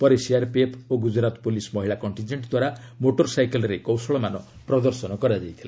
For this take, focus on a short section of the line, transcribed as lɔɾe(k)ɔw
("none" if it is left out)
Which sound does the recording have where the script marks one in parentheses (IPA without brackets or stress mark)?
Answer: k